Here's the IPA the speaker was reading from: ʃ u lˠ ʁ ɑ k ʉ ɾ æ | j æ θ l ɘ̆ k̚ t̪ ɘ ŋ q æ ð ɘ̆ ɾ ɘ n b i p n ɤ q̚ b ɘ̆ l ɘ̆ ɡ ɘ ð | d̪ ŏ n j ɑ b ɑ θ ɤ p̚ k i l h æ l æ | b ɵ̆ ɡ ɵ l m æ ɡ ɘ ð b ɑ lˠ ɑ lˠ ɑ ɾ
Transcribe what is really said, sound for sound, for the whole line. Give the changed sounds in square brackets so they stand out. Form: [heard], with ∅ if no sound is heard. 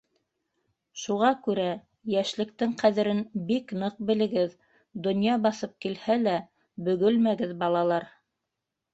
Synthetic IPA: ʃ u [∅] ʁ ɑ k ʉ ɾ æ | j æ [ʃ] l ɘ̆ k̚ t̪ ɘ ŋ q æ ð ɘ̆ ɾ ɘ n b i [k] n ɤ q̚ b ɘ̆ l ɘ̆ ɡ ɘ ð | d̪ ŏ n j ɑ b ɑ θ ɤ p̚ k i l h æ l æ | b ɵ̆ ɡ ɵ l m æ ɡ ɘ ð b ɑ lˠ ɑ lˠ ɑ ɾ